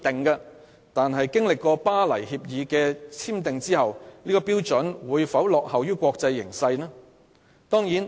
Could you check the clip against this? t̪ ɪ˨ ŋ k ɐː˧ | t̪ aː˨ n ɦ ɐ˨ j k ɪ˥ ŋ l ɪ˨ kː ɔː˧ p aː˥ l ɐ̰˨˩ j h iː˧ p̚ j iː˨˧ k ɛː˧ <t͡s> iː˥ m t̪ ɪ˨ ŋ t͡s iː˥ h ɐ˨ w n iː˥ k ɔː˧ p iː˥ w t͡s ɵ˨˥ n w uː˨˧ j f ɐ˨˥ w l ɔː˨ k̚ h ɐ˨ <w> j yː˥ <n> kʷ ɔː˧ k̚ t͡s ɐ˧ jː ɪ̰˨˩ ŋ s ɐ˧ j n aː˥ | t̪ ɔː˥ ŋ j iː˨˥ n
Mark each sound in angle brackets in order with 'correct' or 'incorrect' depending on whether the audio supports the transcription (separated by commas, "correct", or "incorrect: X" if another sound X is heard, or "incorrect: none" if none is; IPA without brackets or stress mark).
incorrect: t͡sʰ, correct, incorrect: none